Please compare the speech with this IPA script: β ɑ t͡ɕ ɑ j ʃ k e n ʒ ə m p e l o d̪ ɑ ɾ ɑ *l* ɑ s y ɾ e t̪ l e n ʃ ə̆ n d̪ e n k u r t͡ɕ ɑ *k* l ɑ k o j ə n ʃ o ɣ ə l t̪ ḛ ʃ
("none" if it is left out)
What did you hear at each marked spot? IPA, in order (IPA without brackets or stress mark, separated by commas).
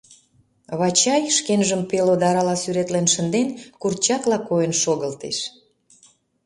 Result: l, k